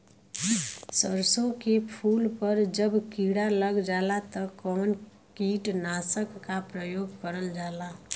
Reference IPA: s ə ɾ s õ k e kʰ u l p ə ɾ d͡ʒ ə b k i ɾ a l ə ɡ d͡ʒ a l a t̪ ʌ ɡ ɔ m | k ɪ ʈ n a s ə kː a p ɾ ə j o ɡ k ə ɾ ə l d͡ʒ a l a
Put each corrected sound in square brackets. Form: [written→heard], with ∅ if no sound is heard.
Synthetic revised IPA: s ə ɾ s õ k e [kʰ→pʰ] u l p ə ɾ d͡ʒ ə b k i [ɾ→ɽ] a l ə ɡ d͡ʒ a l a t̪ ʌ [ɡ→k] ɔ [m→n] | k [ɪ→i] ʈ n a s ə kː a p ɾ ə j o ɡ k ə ɾ ə l d͡ʒ a l a